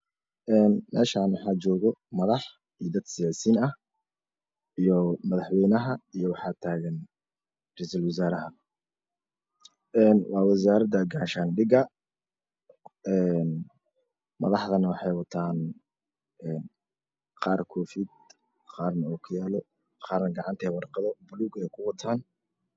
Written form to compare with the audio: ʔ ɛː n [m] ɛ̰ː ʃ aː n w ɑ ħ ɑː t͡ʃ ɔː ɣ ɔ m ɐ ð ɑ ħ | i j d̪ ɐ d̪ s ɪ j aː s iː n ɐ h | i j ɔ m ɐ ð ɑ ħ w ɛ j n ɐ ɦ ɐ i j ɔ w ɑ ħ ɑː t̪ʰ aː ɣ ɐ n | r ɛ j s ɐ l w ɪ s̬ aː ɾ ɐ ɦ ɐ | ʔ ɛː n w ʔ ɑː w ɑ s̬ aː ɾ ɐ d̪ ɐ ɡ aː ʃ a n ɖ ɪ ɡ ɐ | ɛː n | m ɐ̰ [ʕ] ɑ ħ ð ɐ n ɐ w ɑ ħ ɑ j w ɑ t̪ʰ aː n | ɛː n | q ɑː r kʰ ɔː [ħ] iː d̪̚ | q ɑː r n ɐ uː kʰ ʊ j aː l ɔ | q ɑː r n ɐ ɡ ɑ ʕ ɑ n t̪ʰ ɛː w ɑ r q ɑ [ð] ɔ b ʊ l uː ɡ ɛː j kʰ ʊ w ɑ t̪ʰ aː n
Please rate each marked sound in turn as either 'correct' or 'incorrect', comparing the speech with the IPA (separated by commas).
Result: correct, incorrect, incorrect, correct